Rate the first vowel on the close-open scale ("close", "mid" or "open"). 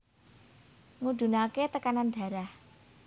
close